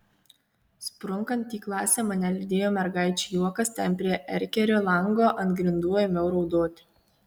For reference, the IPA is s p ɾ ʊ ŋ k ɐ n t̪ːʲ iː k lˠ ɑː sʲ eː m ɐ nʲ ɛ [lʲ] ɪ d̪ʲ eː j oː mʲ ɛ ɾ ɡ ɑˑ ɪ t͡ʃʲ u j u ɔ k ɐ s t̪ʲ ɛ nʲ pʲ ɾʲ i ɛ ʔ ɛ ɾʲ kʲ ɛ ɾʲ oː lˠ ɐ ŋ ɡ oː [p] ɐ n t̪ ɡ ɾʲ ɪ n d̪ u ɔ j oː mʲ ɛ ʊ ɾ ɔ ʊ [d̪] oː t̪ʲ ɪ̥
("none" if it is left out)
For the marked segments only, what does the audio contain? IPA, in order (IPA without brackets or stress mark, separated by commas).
lʲ, ʔ, d̪